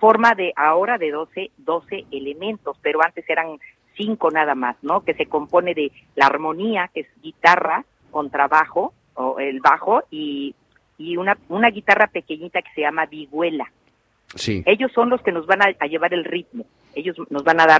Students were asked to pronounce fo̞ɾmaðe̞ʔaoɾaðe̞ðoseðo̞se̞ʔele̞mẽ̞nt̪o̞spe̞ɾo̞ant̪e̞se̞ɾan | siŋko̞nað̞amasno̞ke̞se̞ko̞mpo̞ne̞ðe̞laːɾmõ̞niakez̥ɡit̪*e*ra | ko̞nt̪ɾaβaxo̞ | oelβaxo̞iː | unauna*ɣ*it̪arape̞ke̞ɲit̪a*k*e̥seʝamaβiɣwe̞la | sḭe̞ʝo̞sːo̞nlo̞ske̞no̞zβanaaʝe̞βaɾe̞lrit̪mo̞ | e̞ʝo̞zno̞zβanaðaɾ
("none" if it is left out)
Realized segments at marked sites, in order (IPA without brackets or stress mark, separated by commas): a, ɣ, k